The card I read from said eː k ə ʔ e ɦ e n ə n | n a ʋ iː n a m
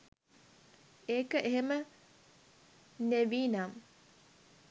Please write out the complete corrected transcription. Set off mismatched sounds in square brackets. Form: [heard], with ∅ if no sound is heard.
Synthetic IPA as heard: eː k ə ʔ e ɦ e [m] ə [∅] | n [e] ʋ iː n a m

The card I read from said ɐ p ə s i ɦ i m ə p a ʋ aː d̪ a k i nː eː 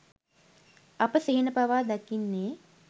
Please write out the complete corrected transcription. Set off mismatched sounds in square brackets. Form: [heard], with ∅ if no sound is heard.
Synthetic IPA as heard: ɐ p ə s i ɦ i [n] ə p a ʋ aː d̪ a k i nː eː

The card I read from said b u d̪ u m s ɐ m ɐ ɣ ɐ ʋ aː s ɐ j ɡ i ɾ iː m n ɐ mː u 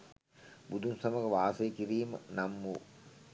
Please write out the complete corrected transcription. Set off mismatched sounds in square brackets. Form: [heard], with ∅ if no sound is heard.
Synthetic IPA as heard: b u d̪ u m s ɐ m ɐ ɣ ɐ ʋ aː s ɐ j [k] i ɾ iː m n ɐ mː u

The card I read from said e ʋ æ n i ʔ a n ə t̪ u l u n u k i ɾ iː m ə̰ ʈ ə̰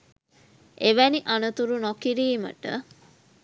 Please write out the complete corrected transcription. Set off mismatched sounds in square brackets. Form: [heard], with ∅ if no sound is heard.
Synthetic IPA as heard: e ʋ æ n i ʔ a n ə t̪ u [ɾ] u n [o] k i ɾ iː m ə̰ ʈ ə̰

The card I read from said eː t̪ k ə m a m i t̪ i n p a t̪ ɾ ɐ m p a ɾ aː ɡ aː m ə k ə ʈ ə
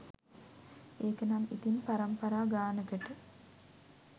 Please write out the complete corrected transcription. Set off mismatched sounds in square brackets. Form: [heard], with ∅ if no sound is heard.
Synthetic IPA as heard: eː [∅] k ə [n] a m i t̪ i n p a [∅] ɾ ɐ m p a ɾ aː ɡ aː [n] ə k ə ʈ ə

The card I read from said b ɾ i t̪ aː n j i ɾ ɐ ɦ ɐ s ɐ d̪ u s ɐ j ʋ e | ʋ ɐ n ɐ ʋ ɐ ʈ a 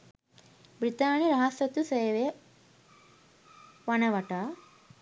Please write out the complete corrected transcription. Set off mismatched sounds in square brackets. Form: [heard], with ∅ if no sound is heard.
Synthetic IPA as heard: b ɾ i t̪ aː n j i ɾ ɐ ɦ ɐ s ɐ [t̪] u s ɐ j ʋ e | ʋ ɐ n ɐ ʋ ɐ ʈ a

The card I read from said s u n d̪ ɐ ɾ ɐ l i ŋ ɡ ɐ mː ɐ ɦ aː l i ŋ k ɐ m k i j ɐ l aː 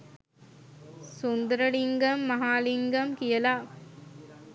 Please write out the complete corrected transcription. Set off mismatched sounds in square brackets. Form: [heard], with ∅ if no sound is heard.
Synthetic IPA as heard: s u n d̪ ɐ ɾ ɐ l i ŋ ɡ ɐ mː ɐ ɦ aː l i ŋ [ɡ] ɐ m k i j ɐ l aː

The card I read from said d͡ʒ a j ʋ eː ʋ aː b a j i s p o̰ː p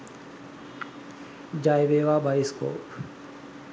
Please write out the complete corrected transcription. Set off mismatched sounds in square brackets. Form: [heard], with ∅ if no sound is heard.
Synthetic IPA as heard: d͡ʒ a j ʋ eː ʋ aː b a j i s [k] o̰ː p

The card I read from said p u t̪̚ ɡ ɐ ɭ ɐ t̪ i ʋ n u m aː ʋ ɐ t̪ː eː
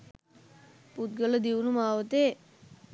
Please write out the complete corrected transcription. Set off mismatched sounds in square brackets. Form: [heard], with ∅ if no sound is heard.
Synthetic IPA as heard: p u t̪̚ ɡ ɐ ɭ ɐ [d̪] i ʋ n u m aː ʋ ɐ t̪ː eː

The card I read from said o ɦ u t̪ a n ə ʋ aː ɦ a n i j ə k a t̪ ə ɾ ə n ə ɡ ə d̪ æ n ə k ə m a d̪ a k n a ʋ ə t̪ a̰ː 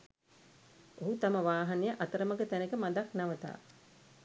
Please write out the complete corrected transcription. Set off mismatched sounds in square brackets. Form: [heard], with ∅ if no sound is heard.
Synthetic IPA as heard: o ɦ u t̪ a [m] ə ʋ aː ɦ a n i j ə [ʔ] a t̪ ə ɾ ə [m] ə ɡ ə [t̪] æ n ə k ə m a d̪ a k n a ʋ ə t̪ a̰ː

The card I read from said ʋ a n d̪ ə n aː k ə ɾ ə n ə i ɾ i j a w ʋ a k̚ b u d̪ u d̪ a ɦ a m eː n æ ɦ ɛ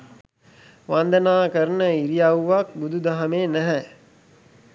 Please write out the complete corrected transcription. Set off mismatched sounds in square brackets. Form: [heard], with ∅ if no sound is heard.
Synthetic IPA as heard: ʋ a n d̪ ə n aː k ə ɾ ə n ə i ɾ i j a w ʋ a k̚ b u d̪ u d̪ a ɦ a m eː n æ ɦ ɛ

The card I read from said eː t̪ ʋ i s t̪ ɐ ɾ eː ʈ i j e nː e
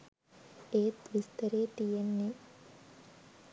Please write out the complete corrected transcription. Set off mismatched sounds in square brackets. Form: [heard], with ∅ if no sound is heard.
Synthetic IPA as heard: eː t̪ ʋ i s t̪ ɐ ɾ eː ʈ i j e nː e

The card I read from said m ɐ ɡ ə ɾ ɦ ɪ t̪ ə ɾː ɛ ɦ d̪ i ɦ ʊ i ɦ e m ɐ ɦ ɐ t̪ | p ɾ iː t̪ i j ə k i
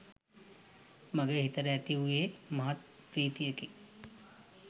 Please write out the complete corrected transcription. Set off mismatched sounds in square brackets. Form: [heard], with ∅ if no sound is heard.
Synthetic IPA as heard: m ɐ ɡ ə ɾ ɦ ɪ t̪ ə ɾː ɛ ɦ [t̪] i ɦ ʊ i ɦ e m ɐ ɦ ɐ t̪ | p ɾ iː t̪ i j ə k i

